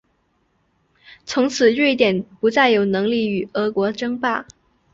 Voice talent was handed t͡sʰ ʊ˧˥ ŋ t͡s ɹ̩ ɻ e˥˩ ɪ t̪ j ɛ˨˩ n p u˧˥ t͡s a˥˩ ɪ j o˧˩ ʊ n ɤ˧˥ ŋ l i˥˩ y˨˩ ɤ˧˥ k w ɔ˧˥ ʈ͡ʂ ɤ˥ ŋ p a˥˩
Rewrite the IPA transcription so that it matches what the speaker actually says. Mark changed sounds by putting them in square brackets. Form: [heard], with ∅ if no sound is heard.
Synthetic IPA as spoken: t͡sʰ ʊ˧˥ ŋ [t͡sʰ] ɹ̩ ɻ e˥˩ ɪ t̪ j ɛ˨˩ n p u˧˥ t͡s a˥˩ ɪ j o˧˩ ʊ n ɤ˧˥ ŋ l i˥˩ y˨˩ ɤ˧˥ k w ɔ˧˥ ʈ͡ʂ ɤ˥ ŋ p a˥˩